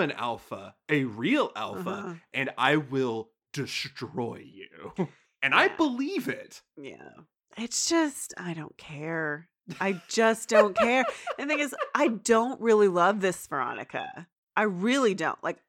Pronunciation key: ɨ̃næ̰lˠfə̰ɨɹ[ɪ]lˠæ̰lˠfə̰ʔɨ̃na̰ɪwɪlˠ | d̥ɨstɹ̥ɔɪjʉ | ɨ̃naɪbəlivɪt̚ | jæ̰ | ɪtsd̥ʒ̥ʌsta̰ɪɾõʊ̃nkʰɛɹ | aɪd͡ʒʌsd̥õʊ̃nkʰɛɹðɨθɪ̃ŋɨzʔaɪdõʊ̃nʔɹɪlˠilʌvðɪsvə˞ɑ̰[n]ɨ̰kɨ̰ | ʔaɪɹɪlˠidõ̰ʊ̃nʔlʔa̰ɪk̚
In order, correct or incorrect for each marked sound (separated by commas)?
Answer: incorrect, correct